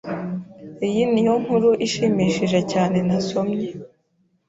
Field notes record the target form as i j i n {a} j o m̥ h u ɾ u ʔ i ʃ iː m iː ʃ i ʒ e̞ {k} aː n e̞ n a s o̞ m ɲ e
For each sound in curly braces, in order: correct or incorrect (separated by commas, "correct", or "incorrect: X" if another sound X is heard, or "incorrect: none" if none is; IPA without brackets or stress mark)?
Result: incorrect: i, incorrect: c